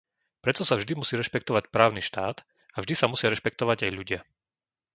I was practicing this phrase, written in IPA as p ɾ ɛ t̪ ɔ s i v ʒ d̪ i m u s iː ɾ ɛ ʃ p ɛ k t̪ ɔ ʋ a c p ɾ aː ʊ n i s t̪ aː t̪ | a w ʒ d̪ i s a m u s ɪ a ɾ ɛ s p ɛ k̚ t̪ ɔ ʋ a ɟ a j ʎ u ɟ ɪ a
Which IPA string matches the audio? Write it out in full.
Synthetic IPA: p ɾ ɛ t̪ ɔ s a v ʒ d̪ i m u s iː ɾ ɛ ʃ p ɛ k t̪ ɔ ʋ a c p ɾ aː ʊ n i ʃ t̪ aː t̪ | a v ʒ d̪ i s a m u s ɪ a ɾ ɛ ʃ p ɛ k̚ t̪ ɔ ʋ a ɟ a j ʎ u ɟ ɪ a

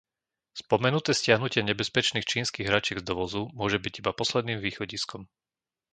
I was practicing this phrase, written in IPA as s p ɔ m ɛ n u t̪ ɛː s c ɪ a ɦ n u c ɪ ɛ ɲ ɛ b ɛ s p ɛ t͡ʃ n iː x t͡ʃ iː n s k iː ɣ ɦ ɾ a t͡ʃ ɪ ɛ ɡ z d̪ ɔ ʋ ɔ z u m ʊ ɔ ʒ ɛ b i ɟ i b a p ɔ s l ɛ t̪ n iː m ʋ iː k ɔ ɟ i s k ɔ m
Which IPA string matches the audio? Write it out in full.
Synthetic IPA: s p ɔ m ɛ n u t̪ ɛː s c ɪ a ɦ n u c ɪ ɛ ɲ ɛ b ɛ s p ɛ t͡ʃ n iː x t͡ʃ iː n s k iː ɣ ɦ ɾ a t͡ʃ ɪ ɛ ɡ z d̪ ɔ ʋ ɔ z u m ʊ ɔ ʒ ɛ b i ɟ i b a p ɔ s l ɛ d̪ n iː m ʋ iː x ɔ ɟ i s k ɔ m

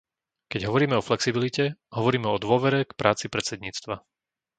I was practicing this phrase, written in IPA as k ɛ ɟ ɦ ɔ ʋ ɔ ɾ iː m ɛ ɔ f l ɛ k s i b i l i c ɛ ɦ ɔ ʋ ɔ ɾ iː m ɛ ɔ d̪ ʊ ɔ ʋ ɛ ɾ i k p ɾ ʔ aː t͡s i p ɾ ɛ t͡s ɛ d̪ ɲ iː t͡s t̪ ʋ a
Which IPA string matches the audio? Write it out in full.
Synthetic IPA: k ɛ ɟ ɦ ɔ ʋ ɔ ɾ iː m ɛ ɔ f l ɛ k s i b i l i c ɛ ɦ ɔ ʋ ɔ ɾ iː m ɛ ɔ d̪ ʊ ɔ ʋ ɛ ɾ ɛ k p ɾ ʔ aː t͡s i p ɾ ɛ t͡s ɛ d̪ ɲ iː t͡s t̪ ʋ a

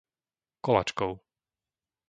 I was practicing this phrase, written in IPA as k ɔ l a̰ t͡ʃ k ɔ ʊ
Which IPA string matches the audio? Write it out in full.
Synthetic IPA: k ɔ l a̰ t͡ʃ k ɔ ʊ

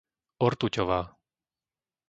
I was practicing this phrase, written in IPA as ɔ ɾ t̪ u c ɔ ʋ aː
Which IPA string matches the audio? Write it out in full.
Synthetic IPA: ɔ ɾ t̪ u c ɔ ʋ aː

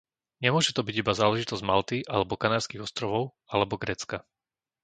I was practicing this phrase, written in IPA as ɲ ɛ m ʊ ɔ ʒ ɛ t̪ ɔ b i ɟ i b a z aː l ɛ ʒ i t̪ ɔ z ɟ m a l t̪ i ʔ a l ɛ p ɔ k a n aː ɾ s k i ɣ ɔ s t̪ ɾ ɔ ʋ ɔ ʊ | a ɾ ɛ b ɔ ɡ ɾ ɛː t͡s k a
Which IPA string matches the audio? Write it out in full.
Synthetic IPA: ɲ ɛ m ʊ ɔ ʒ ɛ t̪ ɔ b i ɟ i b a z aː l ɛ ʒ i t̪ ɔ z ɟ m a l t̪ i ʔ a l ɛ b ɔ k a n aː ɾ s k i ɣ ɔ s t̪ ɾ ɔ ʋ ɔ ʊ | a l ɛ b ɔ ɡ ɾ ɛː t͡s k a

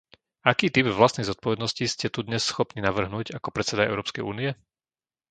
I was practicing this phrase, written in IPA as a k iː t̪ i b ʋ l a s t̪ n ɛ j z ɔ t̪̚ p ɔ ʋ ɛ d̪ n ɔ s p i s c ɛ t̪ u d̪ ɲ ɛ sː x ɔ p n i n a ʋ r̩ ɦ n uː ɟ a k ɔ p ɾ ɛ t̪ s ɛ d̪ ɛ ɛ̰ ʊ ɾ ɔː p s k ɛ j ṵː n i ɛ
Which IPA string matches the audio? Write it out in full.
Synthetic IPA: a k iː t̪ i b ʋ l a s t̪ n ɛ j z ɔ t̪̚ p ɔ ʋ ɛ d̪ n ɔ s c i s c ɛ t̪ u d̪ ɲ ɛ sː x ɔ p n i n a ʋ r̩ ɦ n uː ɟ a k ɔ p ɾ ɛ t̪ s ɛ d̪ a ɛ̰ ʊ ɾ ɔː p s k ɛ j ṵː n i ɛ

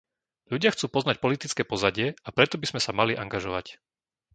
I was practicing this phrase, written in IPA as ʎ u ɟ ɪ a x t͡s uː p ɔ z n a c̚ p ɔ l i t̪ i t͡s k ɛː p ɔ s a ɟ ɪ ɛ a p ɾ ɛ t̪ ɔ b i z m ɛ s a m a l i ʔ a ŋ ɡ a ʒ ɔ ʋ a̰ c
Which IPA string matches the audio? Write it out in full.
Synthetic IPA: ʎ u ɟ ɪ a x t͡s uː p ɔ z n a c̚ p ɔ l i t̪ i t͡s k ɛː p ɔ z a ɟ ɪ ɛ a p ɾ ɛ t̪ ɔ b i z m ɛ s a m a l i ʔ a ŋ ɡ a ʒ ɔ ʋ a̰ c

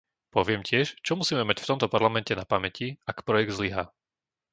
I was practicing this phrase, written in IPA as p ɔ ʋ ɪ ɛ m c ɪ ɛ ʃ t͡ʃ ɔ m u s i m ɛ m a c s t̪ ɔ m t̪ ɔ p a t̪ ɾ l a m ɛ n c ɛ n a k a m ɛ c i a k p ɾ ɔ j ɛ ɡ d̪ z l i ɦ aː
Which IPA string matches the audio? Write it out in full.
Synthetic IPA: p ɔ ʋ ɪ ɛ m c ɪ ɛ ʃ t͡ʃ ɔ m u s iː m ɛ m a c f t̪ ɔ m t̪ ɔ p a ɾ l a m ɛ n c ɛ n a p a m ɛ c i a k p ɾ ɔ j ɛ ɡ d̪ z l i ɦ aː

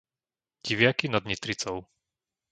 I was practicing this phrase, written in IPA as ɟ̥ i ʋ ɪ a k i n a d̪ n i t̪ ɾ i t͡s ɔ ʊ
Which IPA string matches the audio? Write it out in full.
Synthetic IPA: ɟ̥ i ʋ ɪ a k i n a d̪ ɲ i t̪ ɾ i t͡s ɔ ʊ

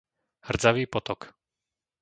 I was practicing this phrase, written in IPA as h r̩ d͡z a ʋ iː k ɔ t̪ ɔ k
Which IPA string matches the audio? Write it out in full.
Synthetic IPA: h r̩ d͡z a ʋ iː p ɔ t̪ ɔ k

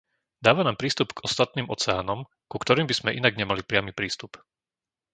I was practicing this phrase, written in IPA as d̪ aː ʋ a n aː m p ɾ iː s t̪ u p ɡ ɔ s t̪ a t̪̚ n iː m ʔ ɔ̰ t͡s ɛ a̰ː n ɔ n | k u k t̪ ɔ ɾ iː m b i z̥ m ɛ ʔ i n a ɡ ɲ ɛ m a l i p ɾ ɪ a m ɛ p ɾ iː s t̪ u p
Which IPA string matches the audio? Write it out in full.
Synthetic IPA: d̪ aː ʋ a n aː m p ɾ iː s t̪ u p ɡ ɔ s t̪ a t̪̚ n iː m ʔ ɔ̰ t͡s ɛ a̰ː n ɔ m | k u k t̪ ɔ ɾ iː m b i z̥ m ɛ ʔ i n a ɡ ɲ ɛ m a l i p ɾ ɪ a m i p ɾ iː s t̪ u p

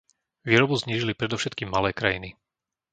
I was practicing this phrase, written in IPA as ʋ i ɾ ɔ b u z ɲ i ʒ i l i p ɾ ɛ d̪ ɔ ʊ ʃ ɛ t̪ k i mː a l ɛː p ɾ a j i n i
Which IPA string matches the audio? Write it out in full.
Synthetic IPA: ʋ iː ɾ ɔ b u z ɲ iː ʒ i l i p ɾ ɛ d̪ ɔ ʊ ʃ ɛ t̪ k iː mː a l ɛː k ɾ a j i n i

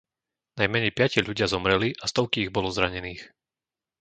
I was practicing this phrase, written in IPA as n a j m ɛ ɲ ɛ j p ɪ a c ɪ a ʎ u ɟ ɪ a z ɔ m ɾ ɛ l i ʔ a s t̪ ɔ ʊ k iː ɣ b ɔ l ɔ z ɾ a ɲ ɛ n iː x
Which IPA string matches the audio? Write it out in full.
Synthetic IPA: n a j m ɛ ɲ ɛ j p ɪ a c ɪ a ʎ u ɟ ɪ a z ɔ m ɾ ɛ l i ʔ a s t̪ ɔ ʊ k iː ɣ b ɔ l ɔ z ɾ a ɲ ɛ n iː x

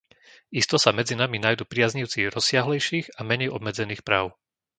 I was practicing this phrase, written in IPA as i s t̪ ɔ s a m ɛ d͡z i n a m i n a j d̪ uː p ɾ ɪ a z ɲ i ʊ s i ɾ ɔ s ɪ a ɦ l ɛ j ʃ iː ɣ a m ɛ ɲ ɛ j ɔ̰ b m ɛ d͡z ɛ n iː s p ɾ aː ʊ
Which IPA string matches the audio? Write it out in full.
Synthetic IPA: i s t̪ ɔ s a m ɛ d͡z i n a m i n a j d̪ uː p ɾ ɪ a z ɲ i ʊ t͡s i ɾ ɔ s ɪ a ɦ l ɛ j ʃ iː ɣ a m ɛ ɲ ɛ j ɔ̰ b m ɛ d͡z ɛ n iː x p ɾ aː ʊ

